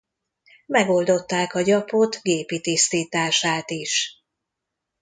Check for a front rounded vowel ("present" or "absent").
absent